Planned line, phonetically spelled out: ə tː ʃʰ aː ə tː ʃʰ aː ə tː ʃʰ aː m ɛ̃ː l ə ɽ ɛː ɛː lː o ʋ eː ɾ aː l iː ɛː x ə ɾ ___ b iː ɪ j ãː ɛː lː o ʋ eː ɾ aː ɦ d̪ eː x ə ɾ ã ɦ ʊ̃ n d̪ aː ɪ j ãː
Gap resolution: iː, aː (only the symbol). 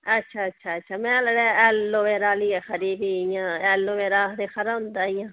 iː